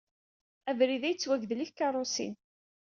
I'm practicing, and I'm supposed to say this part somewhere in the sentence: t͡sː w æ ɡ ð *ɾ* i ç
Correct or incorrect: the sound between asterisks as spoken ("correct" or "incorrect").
incorrect